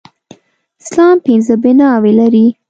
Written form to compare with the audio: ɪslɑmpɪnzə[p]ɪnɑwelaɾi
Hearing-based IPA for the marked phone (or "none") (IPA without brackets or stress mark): b